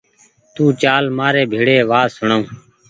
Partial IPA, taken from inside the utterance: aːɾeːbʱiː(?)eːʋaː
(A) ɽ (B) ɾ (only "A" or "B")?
A